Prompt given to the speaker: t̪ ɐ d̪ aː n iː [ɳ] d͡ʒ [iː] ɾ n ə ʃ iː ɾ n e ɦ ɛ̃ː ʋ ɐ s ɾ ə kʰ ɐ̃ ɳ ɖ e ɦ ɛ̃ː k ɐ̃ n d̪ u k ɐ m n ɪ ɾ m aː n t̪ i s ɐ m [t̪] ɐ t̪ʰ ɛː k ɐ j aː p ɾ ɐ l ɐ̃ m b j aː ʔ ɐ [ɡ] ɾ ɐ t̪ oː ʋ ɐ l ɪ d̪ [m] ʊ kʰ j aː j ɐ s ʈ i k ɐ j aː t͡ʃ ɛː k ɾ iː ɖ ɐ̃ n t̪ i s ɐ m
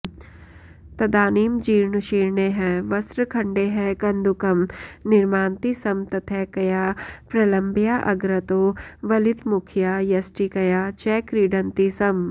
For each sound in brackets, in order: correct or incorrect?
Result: incorrect: m, correct, correct, correct, correct

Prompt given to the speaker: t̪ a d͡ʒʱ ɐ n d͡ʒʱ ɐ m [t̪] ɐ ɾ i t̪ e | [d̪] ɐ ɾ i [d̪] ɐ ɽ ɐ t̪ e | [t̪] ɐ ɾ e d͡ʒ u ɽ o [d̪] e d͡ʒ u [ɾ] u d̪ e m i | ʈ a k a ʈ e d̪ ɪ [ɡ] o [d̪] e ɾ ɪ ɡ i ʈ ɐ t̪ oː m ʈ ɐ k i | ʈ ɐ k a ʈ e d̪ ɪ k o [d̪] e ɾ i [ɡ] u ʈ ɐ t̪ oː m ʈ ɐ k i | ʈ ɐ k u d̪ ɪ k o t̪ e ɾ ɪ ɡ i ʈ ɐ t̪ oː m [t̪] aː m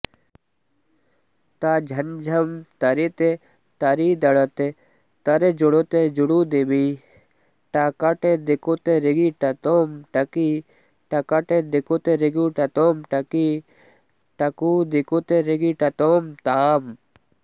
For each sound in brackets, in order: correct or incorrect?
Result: correct, incorrect: t̪, correct, correct, incorrect: t̪, incorrect: ɽ, incorrect: k, incorrect: t̪, incorrect: t̪, correct, correct

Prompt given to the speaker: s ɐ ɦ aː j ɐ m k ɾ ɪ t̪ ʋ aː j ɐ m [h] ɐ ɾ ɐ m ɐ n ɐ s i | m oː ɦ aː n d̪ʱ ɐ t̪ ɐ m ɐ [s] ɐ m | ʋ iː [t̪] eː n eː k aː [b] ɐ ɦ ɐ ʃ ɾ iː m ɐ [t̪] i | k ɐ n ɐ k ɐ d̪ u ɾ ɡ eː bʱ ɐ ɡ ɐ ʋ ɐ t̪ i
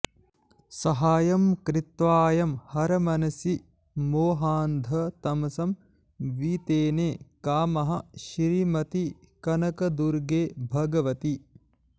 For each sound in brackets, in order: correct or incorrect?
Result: correct, correct, correct, incorrect: m, correct

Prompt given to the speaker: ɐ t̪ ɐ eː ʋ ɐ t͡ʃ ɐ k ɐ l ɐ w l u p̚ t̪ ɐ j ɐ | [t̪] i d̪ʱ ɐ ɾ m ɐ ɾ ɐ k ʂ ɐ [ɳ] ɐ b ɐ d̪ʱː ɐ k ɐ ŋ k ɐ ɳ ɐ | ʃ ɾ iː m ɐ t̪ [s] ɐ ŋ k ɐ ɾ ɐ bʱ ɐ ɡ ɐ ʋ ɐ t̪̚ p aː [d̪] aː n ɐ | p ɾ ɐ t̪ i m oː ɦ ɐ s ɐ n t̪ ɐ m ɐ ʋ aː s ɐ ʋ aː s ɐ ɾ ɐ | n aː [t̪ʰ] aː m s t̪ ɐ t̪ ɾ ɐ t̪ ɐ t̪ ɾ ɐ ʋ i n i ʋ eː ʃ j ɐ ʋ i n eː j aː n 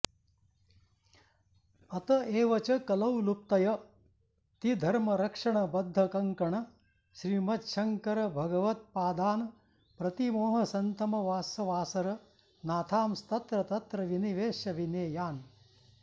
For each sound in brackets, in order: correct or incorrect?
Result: correct, correct, incorrect: ʃ, correct, correct

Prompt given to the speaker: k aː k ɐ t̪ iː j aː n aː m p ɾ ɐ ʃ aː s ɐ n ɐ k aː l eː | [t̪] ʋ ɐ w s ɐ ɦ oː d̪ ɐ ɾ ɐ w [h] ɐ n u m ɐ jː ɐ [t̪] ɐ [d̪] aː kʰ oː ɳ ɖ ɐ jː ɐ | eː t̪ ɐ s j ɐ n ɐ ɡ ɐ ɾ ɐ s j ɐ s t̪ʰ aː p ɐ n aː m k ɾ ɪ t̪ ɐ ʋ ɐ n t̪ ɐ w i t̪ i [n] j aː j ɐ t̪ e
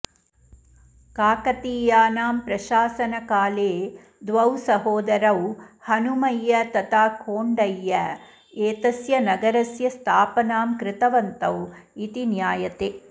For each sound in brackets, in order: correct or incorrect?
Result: incorrect: d̪, correct, correct, incorrect: t̪, correct

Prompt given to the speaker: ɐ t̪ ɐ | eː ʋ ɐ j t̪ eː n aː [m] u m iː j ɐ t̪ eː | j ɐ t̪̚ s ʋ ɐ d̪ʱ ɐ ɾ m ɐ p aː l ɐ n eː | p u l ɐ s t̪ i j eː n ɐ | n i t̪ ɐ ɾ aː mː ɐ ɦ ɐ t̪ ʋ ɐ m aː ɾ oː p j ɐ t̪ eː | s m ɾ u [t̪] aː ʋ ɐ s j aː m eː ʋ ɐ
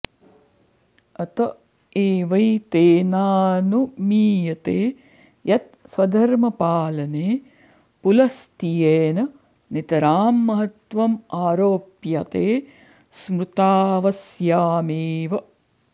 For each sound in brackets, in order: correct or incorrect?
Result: incorrect: n, correct

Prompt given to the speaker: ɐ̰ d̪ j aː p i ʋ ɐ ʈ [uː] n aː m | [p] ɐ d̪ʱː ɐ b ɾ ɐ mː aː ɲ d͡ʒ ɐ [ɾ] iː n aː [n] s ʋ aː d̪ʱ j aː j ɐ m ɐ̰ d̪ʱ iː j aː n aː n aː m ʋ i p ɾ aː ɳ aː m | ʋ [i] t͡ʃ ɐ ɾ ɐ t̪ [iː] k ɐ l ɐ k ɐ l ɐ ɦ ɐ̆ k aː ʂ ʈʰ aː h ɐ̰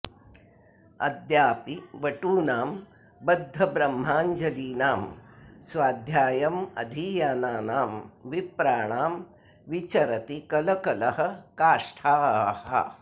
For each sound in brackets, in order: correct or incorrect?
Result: correct, incorrect: b, incorrect: l, incorrect: m, correct, incorrect: i

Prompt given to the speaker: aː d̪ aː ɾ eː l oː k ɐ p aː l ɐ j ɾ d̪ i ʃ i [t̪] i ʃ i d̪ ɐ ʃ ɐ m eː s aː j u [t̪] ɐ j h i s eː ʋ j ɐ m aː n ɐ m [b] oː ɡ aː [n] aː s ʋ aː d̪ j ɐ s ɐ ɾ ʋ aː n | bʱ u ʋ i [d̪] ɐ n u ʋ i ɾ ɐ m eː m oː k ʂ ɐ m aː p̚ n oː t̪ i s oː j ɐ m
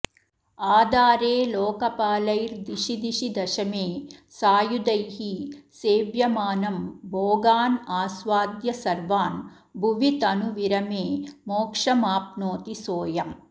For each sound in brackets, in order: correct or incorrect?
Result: incorrect: d̪, incorrect: d̪, correct, correct, incorrect: t̪

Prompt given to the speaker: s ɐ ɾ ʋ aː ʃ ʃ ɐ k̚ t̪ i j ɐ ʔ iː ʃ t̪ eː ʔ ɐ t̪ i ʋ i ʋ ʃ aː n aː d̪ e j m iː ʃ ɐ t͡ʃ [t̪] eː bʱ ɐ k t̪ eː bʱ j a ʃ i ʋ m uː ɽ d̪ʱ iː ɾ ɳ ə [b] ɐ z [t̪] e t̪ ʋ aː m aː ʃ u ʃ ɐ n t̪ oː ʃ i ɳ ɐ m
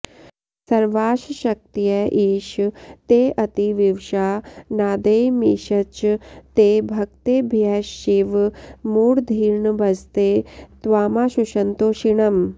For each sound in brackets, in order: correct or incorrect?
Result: correct, correct, correct

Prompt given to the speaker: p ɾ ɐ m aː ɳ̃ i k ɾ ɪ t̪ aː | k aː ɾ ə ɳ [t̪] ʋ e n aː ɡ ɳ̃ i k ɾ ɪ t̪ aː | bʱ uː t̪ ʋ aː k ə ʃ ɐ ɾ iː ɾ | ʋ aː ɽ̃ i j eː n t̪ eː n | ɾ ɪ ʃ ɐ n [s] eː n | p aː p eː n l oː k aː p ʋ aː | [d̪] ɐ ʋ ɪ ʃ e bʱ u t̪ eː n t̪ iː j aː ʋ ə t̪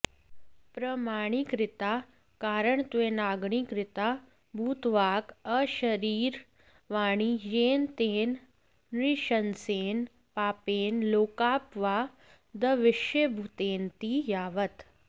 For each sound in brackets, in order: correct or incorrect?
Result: correct, correct, correct

